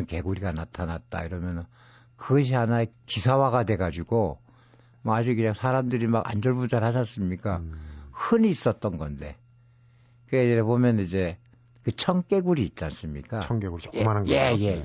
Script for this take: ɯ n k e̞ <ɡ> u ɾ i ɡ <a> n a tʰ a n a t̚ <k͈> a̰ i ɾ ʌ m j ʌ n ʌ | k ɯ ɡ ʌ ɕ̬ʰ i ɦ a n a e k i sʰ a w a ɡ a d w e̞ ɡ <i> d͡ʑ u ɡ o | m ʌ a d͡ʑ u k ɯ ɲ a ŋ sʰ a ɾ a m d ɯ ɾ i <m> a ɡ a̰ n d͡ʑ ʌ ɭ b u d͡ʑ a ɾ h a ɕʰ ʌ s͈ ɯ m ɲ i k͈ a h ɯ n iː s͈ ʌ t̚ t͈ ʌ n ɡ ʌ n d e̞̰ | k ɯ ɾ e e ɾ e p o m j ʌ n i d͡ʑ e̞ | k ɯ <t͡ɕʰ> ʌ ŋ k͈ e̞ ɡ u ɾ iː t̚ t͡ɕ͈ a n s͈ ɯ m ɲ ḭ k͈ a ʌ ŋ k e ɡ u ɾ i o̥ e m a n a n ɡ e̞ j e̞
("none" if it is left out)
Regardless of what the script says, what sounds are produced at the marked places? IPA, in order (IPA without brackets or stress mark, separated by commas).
ɡ, a, t͈, a, m, t͡ɕʰ